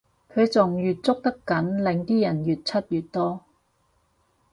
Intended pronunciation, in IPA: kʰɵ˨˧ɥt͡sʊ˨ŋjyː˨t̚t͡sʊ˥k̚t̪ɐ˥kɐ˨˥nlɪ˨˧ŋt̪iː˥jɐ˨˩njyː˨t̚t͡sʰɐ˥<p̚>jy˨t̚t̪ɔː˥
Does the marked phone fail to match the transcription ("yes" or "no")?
yes